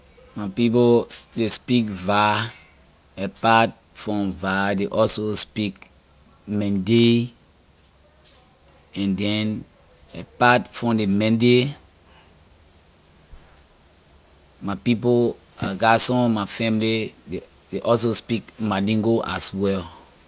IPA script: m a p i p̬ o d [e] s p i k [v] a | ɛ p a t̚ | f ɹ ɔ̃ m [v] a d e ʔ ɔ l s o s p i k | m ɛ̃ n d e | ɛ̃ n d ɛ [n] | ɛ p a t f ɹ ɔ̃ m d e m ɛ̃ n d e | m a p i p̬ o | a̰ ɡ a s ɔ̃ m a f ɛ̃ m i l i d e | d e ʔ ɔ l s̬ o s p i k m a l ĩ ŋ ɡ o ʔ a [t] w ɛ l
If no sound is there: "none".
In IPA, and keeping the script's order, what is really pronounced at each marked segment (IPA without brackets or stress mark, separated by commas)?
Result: e, v, v, n, s